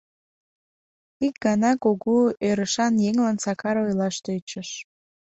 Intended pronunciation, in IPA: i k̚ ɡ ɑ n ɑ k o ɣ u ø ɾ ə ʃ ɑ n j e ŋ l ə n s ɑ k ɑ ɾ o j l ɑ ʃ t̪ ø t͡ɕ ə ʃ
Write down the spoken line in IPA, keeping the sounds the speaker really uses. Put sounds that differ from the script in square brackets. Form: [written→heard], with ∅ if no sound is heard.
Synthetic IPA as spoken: i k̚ ɡ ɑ n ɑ k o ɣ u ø ɾ ə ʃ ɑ n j e ŋ l [ə→ɑ] n s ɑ k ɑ ɾ o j l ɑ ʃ t̪ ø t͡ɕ ə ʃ